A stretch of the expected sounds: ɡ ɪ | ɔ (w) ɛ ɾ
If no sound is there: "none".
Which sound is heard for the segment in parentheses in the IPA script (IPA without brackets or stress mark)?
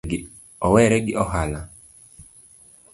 w